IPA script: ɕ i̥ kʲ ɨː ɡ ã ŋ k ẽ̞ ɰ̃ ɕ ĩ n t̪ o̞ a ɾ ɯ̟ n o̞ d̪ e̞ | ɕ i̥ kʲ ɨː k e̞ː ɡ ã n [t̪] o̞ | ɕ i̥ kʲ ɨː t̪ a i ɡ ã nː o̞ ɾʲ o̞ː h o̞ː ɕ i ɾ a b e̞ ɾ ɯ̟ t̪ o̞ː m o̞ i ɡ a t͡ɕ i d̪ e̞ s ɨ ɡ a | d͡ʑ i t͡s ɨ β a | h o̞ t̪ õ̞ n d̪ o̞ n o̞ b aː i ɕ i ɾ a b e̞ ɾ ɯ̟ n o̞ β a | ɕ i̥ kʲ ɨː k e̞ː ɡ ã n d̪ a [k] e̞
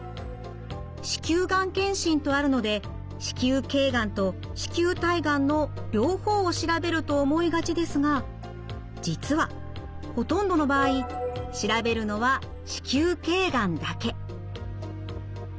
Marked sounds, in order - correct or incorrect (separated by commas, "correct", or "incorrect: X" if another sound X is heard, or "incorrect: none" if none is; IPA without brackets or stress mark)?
correct, correct